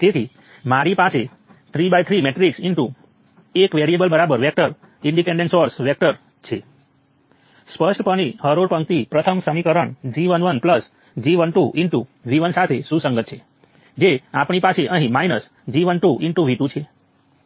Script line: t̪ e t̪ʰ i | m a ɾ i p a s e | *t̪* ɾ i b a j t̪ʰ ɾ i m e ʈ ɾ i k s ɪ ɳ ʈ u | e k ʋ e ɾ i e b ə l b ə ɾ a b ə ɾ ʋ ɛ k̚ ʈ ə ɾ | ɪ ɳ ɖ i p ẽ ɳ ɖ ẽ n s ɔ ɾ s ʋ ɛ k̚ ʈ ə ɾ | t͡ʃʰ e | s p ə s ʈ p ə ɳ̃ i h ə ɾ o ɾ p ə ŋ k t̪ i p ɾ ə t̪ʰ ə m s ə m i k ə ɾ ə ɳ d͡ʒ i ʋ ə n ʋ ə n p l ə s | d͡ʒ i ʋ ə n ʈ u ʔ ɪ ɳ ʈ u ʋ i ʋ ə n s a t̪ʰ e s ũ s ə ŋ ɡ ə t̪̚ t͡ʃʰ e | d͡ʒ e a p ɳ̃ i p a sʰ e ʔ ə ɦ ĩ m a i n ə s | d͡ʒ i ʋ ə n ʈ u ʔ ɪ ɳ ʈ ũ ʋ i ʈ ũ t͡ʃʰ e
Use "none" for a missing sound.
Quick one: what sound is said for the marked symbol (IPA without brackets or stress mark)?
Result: t̪ʰ